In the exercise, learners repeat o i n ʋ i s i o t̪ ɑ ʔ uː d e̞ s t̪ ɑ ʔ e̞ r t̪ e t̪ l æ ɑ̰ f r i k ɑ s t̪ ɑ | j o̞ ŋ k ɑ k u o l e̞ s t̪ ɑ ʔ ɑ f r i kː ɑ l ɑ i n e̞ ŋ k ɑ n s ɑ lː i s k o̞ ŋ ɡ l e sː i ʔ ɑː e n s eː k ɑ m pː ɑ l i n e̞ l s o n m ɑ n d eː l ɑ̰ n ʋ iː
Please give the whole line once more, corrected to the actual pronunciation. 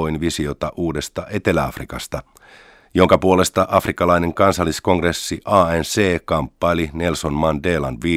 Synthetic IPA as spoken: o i n ʋ i s i o t̪ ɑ ʔ uː d e̞ s t̪ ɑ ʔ e̞ t̪ e l æ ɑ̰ f r i k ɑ s t̪ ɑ | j o̞ ŋ k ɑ p u o l e̞ s t̪ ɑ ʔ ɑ f r i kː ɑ l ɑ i n e̞ ŋ k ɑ n s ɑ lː i s k o̞ ŋ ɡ r e sː i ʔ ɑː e n s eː k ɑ m pː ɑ l i n e̞ l s o n m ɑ n d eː l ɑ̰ n ʋ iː